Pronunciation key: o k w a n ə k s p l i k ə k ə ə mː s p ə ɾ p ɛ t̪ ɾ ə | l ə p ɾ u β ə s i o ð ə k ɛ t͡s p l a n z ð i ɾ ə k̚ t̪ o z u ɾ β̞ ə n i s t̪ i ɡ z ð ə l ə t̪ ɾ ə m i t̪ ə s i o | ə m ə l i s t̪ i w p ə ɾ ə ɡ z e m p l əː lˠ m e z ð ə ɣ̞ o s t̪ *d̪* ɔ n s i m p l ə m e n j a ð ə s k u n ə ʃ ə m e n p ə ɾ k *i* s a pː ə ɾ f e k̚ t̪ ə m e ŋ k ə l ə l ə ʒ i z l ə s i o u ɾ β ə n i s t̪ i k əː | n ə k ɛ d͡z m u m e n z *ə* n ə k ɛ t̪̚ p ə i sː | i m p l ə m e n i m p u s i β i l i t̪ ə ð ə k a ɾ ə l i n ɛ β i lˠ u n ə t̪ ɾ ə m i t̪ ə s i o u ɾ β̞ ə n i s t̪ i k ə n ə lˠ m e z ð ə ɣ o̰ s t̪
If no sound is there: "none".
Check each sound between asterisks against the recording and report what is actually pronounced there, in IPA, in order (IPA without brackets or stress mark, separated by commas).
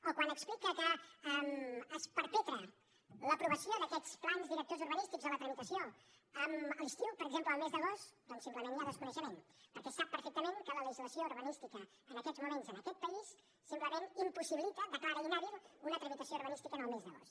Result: d̪, ɛ, ə